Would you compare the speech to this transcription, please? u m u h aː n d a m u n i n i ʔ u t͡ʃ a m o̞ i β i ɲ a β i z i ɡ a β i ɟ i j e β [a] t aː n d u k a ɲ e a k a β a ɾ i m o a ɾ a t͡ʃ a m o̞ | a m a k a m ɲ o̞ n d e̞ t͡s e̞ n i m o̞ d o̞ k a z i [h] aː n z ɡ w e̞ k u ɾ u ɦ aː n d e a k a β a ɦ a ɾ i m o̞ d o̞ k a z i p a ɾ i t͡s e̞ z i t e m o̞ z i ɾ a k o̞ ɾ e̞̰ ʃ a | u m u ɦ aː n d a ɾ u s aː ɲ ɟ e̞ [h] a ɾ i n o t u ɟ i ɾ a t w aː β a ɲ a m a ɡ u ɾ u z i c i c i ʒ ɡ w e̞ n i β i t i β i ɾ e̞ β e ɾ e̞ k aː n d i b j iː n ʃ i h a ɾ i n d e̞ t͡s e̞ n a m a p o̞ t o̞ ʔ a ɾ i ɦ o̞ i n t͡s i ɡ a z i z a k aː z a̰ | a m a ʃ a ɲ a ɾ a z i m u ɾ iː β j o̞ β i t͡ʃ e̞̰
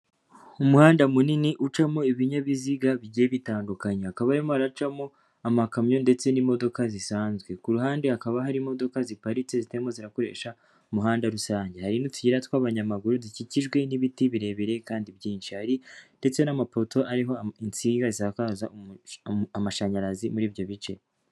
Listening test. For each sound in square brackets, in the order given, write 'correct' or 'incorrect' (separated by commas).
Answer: incorrect, incorrect, correct